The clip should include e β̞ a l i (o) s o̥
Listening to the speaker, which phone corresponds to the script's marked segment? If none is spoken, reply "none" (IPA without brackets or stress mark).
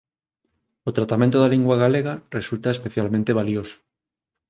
o